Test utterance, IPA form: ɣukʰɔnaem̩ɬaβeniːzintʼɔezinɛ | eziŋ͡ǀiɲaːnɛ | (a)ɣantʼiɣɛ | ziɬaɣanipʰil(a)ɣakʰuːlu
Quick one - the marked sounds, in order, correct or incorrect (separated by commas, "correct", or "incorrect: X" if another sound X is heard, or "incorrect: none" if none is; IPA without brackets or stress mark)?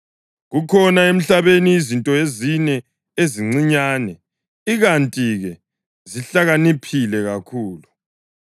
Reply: incorrect: i, incorrect: ɛ